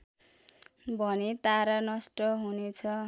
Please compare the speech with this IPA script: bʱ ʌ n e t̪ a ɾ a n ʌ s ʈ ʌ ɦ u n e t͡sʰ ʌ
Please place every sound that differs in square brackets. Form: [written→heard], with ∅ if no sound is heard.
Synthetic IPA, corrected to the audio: bʱ ʌ n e t̪ a ɾ a n ʌ s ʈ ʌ ɦ u n e t͡sʰ ʌ